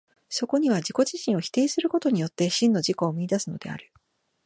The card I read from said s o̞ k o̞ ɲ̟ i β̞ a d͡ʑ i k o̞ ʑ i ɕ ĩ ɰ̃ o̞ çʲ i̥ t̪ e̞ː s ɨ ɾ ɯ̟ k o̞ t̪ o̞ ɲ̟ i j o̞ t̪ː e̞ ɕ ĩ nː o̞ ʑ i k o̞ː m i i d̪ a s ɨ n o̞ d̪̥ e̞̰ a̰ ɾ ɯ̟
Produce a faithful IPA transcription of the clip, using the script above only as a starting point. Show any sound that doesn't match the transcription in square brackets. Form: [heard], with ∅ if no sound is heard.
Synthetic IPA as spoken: s o̞ k o̞ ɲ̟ i β̞ a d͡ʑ i k o̞ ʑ i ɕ ĩ ɰ̃ o̞ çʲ i̥ t̪ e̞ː s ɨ ɾ ɯ̟ k o̞ t̪ o̞ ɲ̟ i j o̞ t̪ː e̞ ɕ ĩ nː o̞ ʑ i k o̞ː m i i d̪ a s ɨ n o̞ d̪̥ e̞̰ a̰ ɾ ɯ̟